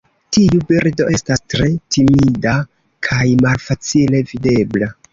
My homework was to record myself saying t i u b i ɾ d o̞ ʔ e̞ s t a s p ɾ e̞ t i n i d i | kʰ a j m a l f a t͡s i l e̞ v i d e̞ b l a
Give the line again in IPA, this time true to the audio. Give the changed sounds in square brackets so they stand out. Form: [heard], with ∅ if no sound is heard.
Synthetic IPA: t i u b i ɾ d o̞ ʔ e̞ s t a s [t] ɾ e̞ t i [m] i d [a] | kʰ a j m a l f a t͡s i l e̞ v i d e̞ b l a